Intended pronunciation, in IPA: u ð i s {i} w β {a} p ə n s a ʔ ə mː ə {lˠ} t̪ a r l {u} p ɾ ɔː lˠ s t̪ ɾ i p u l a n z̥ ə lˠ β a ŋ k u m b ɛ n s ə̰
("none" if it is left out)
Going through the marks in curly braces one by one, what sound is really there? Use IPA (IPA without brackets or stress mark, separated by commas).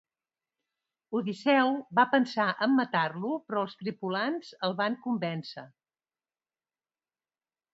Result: ɛ, a, none, u